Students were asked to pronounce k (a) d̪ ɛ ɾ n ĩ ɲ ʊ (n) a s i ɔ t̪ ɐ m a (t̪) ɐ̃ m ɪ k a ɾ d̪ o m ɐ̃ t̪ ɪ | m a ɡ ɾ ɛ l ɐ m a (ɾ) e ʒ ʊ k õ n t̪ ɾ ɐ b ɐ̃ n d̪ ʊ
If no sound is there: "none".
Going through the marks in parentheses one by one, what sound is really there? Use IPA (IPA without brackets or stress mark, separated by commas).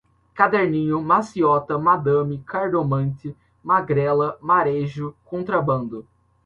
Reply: a, m, d̪, ɾ